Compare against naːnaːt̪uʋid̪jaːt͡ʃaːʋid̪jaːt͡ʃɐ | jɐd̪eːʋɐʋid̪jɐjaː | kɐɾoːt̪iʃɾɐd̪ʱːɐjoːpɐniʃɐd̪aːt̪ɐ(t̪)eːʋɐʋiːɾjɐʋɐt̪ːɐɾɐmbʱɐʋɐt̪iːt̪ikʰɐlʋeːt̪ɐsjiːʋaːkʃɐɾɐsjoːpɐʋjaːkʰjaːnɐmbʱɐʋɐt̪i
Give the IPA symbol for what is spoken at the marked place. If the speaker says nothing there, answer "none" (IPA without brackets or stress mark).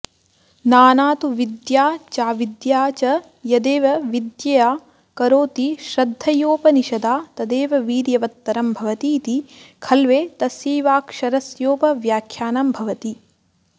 d̪